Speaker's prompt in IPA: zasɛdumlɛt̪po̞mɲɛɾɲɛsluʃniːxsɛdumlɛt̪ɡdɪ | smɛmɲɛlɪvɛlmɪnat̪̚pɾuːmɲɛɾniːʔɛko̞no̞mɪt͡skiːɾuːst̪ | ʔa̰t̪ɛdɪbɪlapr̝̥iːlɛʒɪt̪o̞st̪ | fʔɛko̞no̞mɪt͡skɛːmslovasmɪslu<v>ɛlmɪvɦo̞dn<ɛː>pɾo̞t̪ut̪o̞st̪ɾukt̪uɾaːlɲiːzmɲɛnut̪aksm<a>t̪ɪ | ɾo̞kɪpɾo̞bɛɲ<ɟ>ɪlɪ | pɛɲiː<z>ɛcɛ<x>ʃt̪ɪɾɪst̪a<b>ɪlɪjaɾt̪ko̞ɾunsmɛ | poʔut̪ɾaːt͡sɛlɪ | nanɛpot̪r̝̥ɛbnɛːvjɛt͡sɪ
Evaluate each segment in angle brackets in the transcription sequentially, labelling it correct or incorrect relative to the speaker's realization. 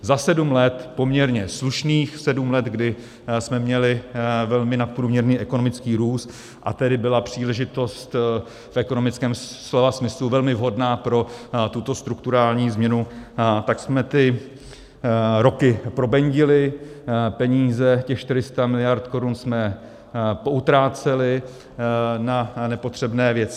correct, incorrect: aː, incorrect: ɛ, correct, correct, correct, incorrect: m

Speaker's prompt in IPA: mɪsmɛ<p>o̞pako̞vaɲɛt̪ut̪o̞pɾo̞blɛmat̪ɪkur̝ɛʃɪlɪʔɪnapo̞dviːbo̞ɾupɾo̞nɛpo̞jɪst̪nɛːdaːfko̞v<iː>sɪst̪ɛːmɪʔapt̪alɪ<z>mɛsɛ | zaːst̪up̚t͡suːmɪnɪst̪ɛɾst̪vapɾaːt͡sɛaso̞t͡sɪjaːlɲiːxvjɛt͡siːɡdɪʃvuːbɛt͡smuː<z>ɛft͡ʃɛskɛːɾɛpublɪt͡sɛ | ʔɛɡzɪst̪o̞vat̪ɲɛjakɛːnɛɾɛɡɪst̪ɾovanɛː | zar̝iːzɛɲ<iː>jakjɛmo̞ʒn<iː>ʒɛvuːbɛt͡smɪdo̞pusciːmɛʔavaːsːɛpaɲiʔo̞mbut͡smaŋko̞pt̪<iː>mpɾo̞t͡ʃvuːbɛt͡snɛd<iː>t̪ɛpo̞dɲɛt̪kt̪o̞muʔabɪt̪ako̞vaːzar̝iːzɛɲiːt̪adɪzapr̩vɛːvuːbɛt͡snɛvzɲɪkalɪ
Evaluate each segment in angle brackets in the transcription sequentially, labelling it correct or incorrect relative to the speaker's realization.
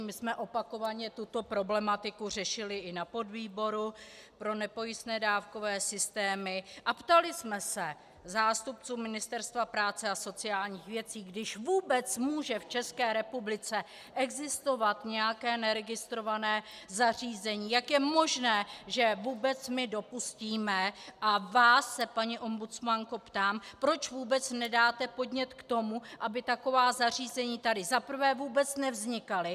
incorrect: ʔ, incorrect: ɛː, incorrect: s, incorrect: ʒ, correct, incorrect: ɛː, incorrect: aː, incorrect: aː

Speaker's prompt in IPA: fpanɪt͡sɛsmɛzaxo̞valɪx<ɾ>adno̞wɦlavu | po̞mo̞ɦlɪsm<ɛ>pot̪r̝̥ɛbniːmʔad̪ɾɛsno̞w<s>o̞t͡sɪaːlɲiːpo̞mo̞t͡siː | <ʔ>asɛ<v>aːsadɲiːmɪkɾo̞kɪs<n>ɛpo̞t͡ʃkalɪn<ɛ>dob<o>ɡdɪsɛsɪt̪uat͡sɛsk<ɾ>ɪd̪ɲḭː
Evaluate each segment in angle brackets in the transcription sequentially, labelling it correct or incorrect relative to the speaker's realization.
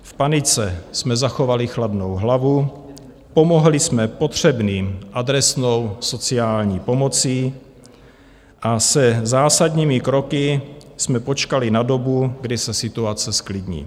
incorrect: l, correct, correct, correct, incorrect: z, incorrect: m, incorrect: a, incorrect: u, incorrect: l

